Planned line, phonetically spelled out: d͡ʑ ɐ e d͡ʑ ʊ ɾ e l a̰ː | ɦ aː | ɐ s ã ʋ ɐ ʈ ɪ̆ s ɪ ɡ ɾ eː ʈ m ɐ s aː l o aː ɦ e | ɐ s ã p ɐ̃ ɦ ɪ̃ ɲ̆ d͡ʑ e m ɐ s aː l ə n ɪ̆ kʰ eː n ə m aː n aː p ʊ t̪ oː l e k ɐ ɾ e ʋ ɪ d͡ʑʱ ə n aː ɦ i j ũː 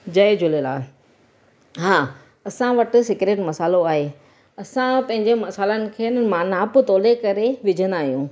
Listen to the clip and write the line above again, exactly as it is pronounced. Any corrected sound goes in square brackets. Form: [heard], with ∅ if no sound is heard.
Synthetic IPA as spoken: d͡ʑ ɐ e d͡ʑ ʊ [l] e l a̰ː | ɦ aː | ɐ s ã ʋ ɐ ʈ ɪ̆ s ɪ [k] ɾ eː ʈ m ɐ s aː l o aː ɦ e | ɐ s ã p ɐ̃ ɦ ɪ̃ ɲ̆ d͡ʑ e m ɐ s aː l ə n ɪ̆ kʰ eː n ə m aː n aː p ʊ t̪ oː l e k ɐ ɾ e ʋ ɪ d͡ʑʱ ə n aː ɦ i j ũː